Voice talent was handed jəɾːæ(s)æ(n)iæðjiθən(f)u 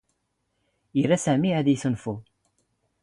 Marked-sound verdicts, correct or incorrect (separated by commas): correct, incorrect, correct